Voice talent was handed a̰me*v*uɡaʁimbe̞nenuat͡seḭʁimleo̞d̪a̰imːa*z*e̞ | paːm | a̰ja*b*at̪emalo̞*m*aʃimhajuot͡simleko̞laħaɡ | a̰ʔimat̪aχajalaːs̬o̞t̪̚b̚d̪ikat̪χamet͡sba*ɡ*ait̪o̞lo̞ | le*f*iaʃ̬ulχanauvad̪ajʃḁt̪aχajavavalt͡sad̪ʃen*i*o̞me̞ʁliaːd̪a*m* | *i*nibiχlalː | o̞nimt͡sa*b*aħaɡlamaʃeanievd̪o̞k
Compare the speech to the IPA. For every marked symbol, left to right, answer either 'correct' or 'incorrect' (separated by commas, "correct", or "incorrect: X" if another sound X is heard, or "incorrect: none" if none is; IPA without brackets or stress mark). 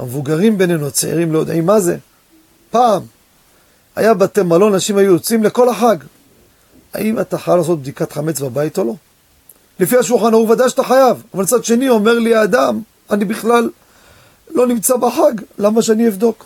correct, correct, correct, incorrect: n, incorrect: b, correct, correct, correct, incorrect: a, correct